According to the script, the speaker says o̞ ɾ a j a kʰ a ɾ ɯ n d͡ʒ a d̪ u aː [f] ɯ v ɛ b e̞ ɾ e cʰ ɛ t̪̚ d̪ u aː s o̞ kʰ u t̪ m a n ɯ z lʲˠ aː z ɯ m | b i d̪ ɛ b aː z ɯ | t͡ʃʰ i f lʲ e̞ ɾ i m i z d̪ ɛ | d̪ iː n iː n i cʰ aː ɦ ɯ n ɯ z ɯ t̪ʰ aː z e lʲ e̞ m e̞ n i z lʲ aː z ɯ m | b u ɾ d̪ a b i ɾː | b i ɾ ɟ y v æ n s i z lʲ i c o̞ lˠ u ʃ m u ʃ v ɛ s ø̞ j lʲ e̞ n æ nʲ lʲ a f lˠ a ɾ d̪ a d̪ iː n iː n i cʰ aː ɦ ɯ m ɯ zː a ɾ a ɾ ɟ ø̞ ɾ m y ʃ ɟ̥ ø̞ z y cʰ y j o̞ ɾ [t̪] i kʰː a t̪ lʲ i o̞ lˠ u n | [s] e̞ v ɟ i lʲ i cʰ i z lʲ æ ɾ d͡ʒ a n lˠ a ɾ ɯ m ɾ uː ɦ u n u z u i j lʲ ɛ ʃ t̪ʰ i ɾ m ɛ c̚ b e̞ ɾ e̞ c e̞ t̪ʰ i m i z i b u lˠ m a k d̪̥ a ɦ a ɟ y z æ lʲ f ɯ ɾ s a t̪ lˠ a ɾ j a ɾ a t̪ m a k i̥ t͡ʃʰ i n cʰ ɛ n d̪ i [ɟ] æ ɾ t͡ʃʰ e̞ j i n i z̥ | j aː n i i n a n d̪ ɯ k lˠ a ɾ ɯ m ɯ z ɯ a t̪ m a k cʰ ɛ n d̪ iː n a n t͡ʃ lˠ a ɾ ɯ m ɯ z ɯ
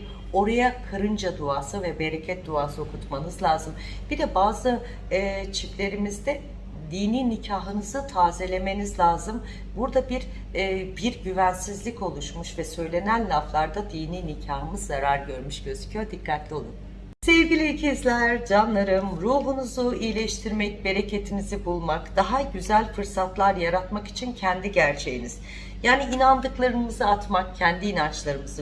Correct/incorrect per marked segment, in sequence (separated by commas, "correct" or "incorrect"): incorrect, incorrect, correct, correct